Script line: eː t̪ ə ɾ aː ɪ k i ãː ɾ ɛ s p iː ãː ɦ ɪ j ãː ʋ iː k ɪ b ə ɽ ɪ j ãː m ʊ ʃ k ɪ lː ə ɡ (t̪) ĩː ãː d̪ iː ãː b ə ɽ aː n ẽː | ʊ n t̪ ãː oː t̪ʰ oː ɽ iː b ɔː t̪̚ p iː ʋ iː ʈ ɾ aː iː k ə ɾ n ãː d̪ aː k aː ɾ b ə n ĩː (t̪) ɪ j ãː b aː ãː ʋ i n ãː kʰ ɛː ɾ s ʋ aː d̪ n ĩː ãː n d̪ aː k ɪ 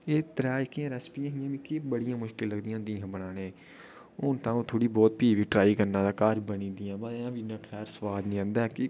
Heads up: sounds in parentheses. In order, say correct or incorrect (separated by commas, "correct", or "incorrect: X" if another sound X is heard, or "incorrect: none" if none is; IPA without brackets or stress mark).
incorrect: d̪, incorrect: d̪